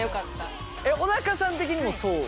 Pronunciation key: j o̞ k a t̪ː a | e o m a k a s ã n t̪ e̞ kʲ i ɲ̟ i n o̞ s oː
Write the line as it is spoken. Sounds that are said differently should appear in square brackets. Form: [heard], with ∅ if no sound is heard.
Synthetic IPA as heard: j o̞ k a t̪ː a | e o [n] a k a s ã n t̪ e̞ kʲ i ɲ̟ i [m] o̞ s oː